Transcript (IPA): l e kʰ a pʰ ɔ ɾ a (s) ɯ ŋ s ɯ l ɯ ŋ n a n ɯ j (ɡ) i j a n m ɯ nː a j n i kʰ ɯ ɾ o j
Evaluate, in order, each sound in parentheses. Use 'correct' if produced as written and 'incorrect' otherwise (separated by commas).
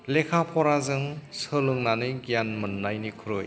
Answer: incorrect, correct